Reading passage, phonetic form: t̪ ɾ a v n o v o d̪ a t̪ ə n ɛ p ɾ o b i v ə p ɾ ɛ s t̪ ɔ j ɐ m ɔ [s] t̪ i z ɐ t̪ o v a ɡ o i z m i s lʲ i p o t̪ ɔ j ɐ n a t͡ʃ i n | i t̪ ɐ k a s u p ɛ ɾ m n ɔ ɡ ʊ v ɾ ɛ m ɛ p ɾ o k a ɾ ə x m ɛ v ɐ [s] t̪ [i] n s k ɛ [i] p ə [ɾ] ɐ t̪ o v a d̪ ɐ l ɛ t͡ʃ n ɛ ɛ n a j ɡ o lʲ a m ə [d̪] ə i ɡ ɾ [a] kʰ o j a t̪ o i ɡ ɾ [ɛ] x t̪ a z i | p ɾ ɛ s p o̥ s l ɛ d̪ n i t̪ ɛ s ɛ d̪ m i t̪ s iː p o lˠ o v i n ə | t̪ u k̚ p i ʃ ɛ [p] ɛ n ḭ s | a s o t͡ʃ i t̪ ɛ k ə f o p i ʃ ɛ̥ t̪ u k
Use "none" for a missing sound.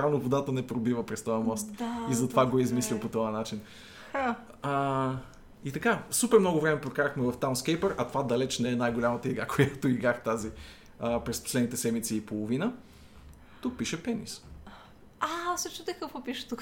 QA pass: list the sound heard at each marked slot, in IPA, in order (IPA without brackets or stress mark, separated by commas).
s, f, a, j, ɾ, t̪, a, a, p